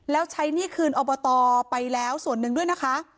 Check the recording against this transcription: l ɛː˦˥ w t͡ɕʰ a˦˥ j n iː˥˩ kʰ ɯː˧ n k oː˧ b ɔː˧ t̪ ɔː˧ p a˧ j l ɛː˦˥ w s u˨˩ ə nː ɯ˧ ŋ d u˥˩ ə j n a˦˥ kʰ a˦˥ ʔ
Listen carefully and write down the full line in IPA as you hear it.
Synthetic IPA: l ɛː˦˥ w t͡ɕʰ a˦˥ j n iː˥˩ kʰ ɯː˧ n ʔ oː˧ b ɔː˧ t̪ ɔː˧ p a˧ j l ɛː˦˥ w s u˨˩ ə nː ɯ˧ ŋ d u˥˩ ə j n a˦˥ kʰ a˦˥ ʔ